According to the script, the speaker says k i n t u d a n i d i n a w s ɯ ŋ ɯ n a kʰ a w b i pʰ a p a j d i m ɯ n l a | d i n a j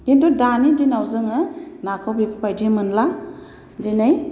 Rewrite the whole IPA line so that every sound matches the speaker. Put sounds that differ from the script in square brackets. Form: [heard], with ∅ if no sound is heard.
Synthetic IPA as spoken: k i n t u d a n i d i n a w [z] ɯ ŋ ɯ n a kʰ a w b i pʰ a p a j d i m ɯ n l a | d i n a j

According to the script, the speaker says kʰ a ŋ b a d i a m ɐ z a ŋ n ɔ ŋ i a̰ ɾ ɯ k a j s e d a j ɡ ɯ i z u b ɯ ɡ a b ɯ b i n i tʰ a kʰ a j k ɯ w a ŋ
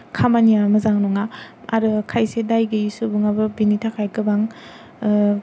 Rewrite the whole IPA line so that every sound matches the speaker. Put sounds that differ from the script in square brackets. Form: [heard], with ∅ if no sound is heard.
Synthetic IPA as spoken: kʰ a [m] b a [n] i a m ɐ z a ŋ n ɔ ŋ [a] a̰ ɾ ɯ [kʰ] a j s e d a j ɡ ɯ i [s] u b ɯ [ŋ] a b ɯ b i n i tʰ a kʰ a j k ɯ [b] a ŋ

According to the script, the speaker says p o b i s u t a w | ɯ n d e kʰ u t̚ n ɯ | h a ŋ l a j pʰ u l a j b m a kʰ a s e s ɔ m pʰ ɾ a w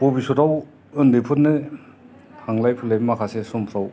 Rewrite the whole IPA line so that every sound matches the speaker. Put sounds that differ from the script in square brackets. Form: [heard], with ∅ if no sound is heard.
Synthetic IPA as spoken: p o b i s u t a w | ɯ n d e [pʰ] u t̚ n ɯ | h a ŋ l a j pʰ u l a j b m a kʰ a s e s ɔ m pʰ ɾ a w

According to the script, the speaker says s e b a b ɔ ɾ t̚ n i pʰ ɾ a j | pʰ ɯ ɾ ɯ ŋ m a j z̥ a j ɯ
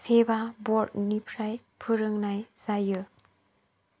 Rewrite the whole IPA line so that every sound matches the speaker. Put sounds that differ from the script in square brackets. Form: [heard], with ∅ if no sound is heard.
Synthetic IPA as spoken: s e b a b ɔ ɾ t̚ n i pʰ ɾ a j | pʰ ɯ ɾ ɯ ŋ [n] a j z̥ a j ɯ

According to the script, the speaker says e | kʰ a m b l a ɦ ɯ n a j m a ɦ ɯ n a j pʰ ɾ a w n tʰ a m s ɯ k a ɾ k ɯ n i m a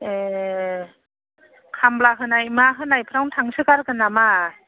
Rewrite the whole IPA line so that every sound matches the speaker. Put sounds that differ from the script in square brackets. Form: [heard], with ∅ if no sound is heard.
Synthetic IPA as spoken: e | kʰ a m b l a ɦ ɯ n a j m a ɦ ɯ n a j pʰ ɾ a w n tʰ a [ŋ] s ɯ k a ɾ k ɯ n [a] m a

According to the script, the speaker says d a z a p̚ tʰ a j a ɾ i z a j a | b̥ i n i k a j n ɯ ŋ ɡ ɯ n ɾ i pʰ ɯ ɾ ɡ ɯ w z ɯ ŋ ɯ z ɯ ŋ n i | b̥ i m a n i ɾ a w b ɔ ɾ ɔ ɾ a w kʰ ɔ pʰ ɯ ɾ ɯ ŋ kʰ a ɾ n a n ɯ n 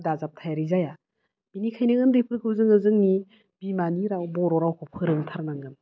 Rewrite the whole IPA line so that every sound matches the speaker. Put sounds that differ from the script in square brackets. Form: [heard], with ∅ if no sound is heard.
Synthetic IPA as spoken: d a z a p̚ tʰ a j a ɾ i z a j a | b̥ i n i [kʰ] a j n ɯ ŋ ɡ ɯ n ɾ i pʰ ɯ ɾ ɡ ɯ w z ɯ ŋ ɯ z ɯ ŋ n i | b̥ i m a n i ɾ a w b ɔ ɾ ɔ ɾ a w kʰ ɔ pʰ ɯ ɾ ɯ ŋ [tʰ] a ɾ n a [ŋ] ɯ n

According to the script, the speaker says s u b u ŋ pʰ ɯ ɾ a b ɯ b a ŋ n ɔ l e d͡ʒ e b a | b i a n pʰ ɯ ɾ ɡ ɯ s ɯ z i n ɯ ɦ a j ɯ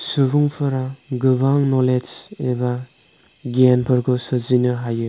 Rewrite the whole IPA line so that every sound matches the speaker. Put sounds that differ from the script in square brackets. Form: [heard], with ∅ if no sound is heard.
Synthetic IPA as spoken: s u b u ŋ pʰ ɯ ɾ a [ɡ] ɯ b a ŋ n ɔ l e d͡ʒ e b a | [ɡ] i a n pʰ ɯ ɾ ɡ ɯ s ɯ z i n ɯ ɦ a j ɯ

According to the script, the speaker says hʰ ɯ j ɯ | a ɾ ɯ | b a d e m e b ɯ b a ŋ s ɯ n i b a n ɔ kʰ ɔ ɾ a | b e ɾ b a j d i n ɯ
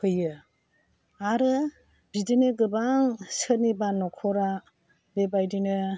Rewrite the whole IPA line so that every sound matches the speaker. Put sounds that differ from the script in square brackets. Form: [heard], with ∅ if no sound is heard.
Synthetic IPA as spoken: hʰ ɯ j ɯ | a ɾ ɯ | b [i] d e [n] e [ɡ] ɯ b a ŋ s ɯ n i b a n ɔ kʰ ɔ ɾ a | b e [∅] b a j d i n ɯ

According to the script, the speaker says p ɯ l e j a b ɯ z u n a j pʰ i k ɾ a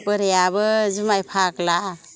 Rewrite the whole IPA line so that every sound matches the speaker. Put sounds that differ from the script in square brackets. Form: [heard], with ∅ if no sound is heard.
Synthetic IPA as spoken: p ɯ [ɾ] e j a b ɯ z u [m] a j pʰ [a] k [l] a

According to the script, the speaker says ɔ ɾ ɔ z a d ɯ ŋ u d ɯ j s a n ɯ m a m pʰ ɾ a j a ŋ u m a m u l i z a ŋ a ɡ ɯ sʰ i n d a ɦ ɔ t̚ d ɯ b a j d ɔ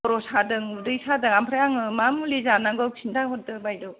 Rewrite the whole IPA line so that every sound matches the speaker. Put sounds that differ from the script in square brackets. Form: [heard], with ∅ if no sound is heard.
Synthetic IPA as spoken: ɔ ɾ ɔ [s] a d ɯ ŋ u d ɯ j s a [d] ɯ [ŋ] a m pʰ ɾ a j a ŋ [ɯ] m a m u l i z a [n] a ɡ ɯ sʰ i n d a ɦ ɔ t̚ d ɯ b a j d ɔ

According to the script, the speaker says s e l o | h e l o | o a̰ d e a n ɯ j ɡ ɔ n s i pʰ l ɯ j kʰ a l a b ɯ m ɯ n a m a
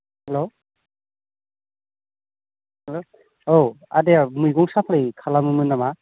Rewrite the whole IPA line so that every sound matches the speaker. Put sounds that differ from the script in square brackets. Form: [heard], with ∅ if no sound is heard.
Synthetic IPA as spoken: [h] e l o | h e l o | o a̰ d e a [m] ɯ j ɡ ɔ [ŋ] s [a] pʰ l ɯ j kʰ a l a [m] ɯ m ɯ n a m a

